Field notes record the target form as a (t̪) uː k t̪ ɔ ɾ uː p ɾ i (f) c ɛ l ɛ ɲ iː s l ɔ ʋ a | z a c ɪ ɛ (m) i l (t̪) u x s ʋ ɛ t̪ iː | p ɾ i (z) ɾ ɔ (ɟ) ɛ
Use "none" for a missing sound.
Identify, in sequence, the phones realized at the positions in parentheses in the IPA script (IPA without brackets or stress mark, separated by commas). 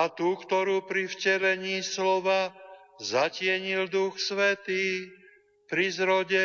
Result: t̪, f, ɲ, d̪, z, ɟ